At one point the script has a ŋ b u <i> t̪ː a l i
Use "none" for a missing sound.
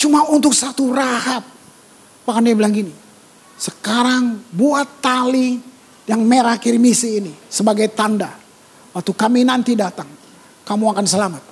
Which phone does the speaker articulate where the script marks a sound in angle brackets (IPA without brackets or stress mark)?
a